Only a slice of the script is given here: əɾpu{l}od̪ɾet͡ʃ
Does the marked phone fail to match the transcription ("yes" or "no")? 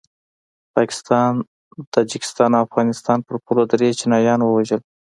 no